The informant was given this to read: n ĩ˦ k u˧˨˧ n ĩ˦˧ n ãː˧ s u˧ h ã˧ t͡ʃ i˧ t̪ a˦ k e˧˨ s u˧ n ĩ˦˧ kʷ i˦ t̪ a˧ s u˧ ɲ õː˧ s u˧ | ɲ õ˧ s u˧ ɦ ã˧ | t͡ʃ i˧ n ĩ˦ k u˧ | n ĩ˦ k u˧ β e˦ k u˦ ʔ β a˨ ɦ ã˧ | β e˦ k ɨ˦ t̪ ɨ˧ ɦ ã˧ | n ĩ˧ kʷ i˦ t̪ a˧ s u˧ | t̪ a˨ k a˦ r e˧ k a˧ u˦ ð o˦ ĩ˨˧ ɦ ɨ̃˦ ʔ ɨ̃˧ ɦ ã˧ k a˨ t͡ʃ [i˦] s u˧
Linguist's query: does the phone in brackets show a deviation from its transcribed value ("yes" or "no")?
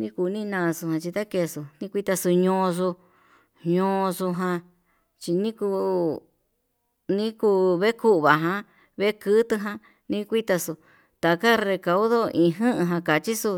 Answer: no